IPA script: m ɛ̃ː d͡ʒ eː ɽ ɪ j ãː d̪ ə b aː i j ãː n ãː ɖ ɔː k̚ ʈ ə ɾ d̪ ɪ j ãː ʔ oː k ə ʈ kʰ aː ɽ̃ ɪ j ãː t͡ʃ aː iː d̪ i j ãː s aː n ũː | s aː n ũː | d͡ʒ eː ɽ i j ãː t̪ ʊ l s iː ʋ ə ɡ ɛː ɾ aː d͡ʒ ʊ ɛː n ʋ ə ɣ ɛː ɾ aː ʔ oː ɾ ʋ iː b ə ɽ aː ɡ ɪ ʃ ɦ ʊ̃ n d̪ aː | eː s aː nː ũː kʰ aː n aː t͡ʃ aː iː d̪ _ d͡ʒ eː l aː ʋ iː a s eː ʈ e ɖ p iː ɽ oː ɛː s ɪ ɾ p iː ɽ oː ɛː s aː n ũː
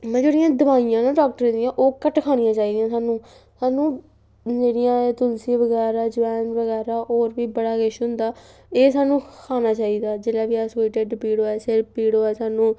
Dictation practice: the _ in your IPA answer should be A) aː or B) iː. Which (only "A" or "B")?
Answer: A